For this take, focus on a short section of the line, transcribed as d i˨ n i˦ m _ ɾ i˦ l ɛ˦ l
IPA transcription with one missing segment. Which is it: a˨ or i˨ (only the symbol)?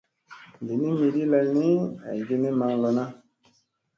i˨